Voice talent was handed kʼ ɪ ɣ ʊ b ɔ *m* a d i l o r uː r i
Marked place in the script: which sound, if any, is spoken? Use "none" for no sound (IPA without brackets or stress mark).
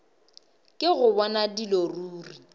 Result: n